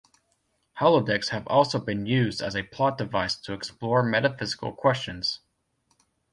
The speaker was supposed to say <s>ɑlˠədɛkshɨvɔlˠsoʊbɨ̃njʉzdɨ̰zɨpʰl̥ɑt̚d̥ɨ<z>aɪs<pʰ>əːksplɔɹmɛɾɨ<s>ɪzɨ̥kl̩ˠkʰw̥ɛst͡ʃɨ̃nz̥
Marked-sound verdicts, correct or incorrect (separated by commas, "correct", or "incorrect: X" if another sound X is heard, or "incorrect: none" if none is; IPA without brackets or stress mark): incorrect: h, incorrect: v, incorrect: tʰ, incorrect: f